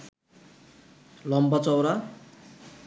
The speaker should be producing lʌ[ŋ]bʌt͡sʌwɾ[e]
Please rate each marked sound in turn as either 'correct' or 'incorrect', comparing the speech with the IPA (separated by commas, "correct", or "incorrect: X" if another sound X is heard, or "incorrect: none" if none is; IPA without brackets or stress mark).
incorrect: m, incorrect: a